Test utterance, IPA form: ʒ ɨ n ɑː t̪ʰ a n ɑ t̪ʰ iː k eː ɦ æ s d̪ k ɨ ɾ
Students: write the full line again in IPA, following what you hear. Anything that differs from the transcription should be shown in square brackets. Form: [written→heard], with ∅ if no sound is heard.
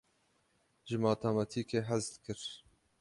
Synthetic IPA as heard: ʒ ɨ [n→m] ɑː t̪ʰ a [n→m] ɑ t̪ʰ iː k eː ɦ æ [s→z] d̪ k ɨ ɾ